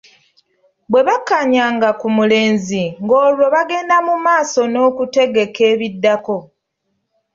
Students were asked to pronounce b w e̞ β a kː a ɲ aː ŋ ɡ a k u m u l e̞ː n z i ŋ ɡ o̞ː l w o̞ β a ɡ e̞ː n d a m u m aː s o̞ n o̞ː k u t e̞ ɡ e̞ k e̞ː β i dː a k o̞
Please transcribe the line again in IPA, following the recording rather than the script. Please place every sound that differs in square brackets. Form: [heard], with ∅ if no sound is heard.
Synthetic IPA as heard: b w e̞ β a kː a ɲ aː ŋ ɡ a k u m u l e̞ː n z i ŋ ɡ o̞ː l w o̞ β a ɡ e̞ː n d a m u m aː s o̞ n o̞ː k u t e̞ ɡ e̞ k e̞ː β i dː a k o̞